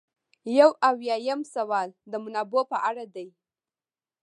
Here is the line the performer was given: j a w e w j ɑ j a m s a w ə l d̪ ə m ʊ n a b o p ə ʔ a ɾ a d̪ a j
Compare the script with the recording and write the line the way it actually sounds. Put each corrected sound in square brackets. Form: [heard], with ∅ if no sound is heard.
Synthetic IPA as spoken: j a w [a] w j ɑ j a m s a w [ɑ] l d̪ ə m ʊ n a b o p ə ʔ a [ɽ] a d̪ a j